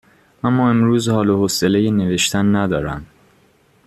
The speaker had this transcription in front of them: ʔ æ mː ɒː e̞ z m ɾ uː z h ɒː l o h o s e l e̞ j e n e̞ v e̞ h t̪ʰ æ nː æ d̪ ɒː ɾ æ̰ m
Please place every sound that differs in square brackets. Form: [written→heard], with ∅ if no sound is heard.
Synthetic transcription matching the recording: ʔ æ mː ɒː e̞ [z→∅] m ɾ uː z h ɒː l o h o s e l e̞ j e n e̞ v e̞ [h→ʃ] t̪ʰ æ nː æ d̪ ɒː ɾ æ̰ m